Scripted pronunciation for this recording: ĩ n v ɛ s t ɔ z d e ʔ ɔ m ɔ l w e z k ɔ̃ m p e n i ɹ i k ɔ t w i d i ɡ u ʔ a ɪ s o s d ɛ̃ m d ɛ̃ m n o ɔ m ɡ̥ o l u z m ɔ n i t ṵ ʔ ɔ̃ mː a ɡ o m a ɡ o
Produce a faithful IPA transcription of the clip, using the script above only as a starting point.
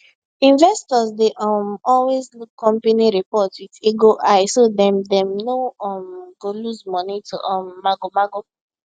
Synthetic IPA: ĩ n v ɛ s t ɔ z d e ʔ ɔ m ɔ l w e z k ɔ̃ m p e n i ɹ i p ɔ t w i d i ɡ o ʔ a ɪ s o d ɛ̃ m d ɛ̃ m n o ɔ m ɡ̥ o l u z m ɔ n i t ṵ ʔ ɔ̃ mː a ɡ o m a ɡ o